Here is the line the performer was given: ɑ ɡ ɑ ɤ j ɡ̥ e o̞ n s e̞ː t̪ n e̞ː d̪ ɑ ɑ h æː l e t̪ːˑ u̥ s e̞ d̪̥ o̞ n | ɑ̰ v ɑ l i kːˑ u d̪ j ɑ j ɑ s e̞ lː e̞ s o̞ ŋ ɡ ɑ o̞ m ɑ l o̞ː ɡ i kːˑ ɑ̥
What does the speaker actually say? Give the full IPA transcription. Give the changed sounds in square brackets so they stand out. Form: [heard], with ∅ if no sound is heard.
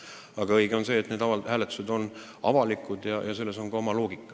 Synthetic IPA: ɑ ɡ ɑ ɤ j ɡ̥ e o̞ n s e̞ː t̪ n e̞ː d̪ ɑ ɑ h æː l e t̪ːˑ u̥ s e̞ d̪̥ o̞ n | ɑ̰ v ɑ l i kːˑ u d̪ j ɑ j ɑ s e̞ lː e̞ s o̞ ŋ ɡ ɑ o̞ m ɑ l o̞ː ɡ i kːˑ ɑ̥